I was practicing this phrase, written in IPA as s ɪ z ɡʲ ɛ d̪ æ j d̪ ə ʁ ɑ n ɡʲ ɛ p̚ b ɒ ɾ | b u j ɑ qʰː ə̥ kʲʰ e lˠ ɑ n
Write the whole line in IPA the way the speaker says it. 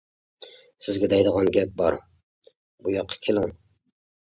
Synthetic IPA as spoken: s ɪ z ɡʲ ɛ d̪ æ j d̪ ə ʁ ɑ n ɡʲ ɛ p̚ b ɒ ɾ | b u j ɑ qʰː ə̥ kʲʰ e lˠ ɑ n

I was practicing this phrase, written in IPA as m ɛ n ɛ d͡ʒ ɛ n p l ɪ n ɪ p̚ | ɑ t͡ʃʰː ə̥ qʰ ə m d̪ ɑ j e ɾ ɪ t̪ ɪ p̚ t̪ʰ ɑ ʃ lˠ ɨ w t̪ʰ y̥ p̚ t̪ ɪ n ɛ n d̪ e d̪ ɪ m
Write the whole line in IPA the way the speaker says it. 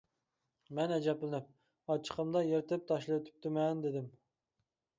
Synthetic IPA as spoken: m ɛ n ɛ d͡ʒ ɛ p l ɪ n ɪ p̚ | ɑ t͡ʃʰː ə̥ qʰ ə m d̪ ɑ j e ɾ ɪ t̪ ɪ p̚ t̪ʰ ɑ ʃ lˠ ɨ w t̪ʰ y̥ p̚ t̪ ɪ m ɛ n d̪ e d̪ ɪ m

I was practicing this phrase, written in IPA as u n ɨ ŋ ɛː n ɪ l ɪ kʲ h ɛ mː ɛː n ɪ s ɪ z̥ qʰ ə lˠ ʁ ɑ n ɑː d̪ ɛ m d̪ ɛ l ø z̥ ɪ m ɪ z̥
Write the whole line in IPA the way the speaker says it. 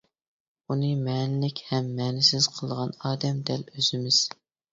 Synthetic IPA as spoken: u n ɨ m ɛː n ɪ l ɪ kʲ h ɛ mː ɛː n ɪ s ɪ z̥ qʰ ə lˠ ʁ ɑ n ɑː d̪ ɛ m d̪ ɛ l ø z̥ ɪ m ɪ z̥

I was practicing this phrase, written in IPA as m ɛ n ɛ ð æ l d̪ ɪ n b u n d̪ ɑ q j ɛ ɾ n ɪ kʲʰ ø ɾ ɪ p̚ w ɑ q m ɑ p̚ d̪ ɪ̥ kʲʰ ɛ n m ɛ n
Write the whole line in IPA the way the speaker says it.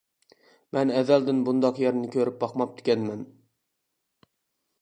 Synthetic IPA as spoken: m ɛ n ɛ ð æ l d̪ ɪ n b u n d̪ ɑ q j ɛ ɾ n ɪ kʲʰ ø ɾ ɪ p̚ b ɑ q m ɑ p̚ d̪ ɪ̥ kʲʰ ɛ n m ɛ n

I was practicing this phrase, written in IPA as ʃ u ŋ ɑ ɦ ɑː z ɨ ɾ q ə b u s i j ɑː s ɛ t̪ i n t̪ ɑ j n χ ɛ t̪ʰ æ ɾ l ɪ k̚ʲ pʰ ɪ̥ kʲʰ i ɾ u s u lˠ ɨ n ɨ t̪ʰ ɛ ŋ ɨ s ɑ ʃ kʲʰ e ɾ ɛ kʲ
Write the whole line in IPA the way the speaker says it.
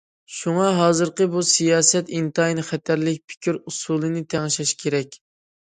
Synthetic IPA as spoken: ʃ u ŋ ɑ ɦ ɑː z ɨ ɾ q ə b u s i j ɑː s ɛ t̪ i n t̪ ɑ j n χ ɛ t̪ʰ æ ɾ l ɪ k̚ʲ pʰ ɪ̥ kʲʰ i ɾ u s u lˠ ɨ n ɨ t̪ʰ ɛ ŋ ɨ ʃ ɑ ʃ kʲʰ e ɾ ɛ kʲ

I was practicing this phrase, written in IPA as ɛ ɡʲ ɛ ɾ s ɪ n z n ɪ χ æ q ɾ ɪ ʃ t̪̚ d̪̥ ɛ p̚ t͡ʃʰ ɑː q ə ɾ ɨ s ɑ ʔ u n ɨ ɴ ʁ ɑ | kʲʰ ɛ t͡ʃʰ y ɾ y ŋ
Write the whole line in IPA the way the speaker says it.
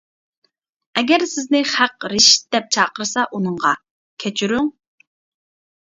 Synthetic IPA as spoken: ɛ ɡʲ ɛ ɾ s ɪ z n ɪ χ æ q ɾ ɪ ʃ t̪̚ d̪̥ ɛ p̚ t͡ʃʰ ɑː q ə ɾ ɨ s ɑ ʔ u n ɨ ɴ ʁ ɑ | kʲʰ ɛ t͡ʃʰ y ɾ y ŋ

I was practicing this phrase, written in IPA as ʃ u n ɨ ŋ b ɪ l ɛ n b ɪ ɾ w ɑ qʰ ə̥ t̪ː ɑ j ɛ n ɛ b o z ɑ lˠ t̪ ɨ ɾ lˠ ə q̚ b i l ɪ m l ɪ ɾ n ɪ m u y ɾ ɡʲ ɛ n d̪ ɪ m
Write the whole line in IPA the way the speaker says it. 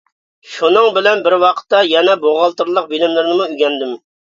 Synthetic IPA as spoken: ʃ u n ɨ ŋ b ɪ l ɛ n b ɪ ɾ w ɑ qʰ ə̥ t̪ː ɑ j ɛ n ɛ b o ʁ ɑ lˠ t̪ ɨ ɾ lˠ ə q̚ b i l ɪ m l ɪ ɾ n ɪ m u y ɡʲ ɛ n d̪ ɪ m

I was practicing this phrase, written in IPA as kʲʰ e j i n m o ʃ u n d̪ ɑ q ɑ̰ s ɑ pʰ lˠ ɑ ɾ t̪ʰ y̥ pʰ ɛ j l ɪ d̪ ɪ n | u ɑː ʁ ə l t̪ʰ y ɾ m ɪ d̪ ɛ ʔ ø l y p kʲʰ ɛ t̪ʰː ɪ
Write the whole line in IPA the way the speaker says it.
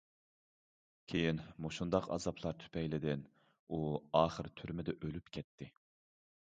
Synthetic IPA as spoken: kʲʰ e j i n m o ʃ u n d̪ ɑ q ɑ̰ z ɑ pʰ lˠ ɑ ɾ t̪ʰ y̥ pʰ ɛ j l ɪ d̪ ɪ n | u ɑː χ ə ɾ t̪ʰ y ɾ m ɪ d̪ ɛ ʔ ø l y p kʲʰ ɛ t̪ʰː ɪ

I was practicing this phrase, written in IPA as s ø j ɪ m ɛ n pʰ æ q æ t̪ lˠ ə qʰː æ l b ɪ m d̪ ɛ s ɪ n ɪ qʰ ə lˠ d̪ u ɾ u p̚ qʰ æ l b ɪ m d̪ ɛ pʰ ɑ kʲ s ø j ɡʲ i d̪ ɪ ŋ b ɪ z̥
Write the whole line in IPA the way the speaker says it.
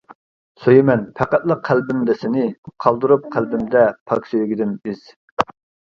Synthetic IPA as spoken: s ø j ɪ m ɛ n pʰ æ q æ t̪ lˠ ə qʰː æ l b ɪ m d̪ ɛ s ɪ n ɪ qʰ ɑ lˠ d̪ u ɾ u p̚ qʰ æ l b ɪ m d̪ ɛ pʰ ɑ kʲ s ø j ɡʲ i d̪ ɪ n b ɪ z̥

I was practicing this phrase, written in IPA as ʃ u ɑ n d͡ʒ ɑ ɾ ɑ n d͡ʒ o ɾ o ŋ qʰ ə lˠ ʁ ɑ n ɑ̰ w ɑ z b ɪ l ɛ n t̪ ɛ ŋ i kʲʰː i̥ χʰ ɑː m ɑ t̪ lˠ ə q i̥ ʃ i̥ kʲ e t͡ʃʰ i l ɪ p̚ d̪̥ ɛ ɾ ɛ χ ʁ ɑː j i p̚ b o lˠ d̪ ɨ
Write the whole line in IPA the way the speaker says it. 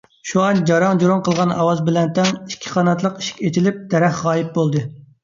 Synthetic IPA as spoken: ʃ u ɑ n d͡ʒ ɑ ɾ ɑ ŋ d͡ʒ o ɾ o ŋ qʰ ə lˠ ʁ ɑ n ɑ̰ w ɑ z b ɪ l ɛ n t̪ ɛ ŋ i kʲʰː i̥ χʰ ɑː n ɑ t̪ lˠ ə q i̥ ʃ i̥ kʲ e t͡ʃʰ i l ɪ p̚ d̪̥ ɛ ɾ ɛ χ ʁ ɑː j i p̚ b o lˠ d̪ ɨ

